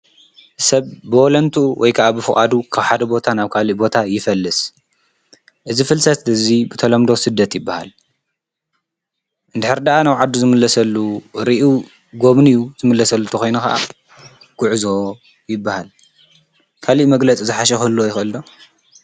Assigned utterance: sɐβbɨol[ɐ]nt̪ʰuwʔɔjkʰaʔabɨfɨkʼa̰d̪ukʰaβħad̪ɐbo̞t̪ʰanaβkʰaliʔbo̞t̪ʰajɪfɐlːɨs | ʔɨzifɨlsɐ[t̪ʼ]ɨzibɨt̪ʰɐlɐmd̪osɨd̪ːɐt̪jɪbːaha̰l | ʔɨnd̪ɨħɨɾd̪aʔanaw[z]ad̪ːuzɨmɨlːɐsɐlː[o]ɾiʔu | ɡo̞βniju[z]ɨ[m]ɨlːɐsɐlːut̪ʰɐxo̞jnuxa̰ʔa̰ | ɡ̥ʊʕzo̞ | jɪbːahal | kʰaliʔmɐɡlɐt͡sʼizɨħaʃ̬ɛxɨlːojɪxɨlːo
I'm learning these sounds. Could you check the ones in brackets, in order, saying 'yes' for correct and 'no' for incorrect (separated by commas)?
yes, no, no, no, yes, yes